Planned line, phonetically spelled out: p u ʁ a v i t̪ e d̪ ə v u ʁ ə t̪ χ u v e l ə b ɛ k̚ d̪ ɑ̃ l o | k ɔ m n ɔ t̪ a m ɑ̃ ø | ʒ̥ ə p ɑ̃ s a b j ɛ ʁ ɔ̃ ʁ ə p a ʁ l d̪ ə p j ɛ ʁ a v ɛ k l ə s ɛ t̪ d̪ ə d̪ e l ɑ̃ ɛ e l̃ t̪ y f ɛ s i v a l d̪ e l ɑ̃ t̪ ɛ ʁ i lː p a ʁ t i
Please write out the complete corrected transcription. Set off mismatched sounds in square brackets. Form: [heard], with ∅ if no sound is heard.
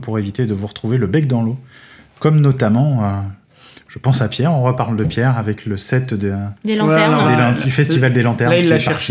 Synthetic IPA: p u ʁ [e] v i t̪ e d̪ ə v u ʁ ə t̪ χ u v e l ə b ɛ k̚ d̪ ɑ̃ l o | k ɔ m n ɔ t̪ a m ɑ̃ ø | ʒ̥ ə p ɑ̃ s a [p] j ɛ ʁ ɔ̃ ʁ ə p a ʁ l d̪ ə p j ɛ ʁ a v ɛ k l ə s ɛ t̪ d̪ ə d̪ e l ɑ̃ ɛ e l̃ [d̪] y f ɛ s i v a l d̪ e l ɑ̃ t̪ ɛ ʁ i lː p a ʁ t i